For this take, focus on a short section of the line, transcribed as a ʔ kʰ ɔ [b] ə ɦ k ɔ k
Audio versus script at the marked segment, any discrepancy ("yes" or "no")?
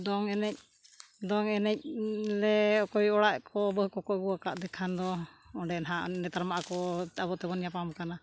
no